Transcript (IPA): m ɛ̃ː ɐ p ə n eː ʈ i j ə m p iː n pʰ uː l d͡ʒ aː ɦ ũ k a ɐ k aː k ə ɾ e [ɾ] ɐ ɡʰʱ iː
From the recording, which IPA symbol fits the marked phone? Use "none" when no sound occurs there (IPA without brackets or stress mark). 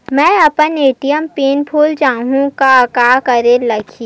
l